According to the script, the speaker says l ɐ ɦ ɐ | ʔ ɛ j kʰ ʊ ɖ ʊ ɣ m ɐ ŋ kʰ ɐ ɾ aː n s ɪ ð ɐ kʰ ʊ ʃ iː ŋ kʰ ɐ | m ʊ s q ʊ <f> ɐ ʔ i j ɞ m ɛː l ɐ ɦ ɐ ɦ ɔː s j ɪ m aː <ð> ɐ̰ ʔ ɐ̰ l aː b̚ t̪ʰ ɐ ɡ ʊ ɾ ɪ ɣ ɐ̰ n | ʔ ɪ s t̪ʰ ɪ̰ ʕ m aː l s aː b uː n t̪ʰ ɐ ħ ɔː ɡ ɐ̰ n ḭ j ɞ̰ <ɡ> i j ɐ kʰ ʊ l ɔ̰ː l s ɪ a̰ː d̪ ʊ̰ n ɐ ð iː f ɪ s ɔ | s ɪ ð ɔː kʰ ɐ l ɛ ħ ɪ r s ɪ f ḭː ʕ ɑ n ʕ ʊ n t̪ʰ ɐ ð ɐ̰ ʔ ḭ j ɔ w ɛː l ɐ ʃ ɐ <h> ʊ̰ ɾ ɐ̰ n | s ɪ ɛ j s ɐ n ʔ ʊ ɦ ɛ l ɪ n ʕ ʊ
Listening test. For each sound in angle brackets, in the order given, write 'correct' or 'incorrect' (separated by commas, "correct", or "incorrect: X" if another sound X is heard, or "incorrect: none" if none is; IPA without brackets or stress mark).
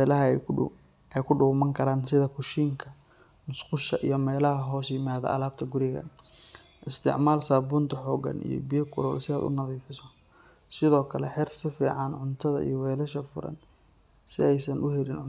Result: incorrect: ʃ, correct, incorrect: b, incorrect: f